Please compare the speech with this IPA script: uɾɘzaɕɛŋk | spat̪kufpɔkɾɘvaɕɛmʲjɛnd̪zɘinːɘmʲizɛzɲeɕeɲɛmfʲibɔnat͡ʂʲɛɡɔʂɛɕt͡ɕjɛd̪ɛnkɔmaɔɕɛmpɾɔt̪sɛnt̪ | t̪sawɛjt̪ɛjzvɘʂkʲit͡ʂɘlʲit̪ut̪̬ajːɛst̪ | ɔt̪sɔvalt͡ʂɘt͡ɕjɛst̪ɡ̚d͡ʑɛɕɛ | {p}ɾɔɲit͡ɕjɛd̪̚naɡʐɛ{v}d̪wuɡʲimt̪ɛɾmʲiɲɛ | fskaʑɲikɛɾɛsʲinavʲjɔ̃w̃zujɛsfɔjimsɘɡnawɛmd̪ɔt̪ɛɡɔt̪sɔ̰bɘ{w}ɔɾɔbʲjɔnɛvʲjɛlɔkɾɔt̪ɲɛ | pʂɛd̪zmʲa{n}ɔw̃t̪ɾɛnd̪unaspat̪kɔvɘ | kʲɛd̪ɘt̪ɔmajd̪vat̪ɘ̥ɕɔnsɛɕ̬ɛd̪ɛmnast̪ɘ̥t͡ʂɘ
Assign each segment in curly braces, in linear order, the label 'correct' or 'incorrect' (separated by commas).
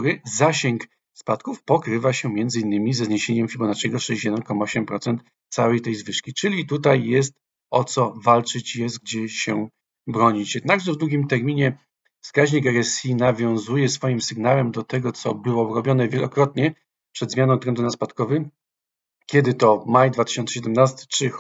incorrect, correct, correct, correct